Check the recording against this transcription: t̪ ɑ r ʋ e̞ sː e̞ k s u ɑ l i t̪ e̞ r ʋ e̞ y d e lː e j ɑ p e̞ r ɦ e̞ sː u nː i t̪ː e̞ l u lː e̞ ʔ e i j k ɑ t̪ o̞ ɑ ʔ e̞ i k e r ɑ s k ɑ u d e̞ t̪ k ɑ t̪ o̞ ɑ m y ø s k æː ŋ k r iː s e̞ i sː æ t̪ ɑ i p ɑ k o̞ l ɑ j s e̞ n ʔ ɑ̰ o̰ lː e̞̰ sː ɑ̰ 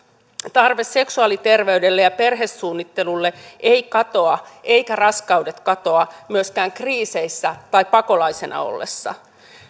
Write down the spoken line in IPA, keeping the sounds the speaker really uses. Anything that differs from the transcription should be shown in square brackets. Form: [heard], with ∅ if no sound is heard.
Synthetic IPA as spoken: t̪ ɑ r ʋ e̞ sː e̞ k s u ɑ l i t̪ e̞ r ʋ e̞ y d e lː e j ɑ p e̞ r ɦ e̞ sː [uː] nː i t̪ː e̞ l u lː e̞ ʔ e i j k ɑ t̪ o̞ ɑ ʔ e̞ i k [æ] r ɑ s k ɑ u d e̞ t̪ k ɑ t̪ o̞ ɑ m y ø s k æː ŋ k r iː s e̞ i sː æ t̪ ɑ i p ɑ k o̞ l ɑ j s e̞ n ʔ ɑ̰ o̰ lː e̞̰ sː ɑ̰